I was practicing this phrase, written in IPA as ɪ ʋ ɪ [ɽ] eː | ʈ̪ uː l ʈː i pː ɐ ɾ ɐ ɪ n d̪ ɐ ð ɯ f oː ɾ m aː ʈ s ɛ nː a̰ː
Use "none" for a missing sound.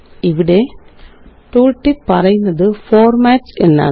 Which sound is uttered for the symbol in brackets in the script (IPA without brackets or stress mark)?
ɽ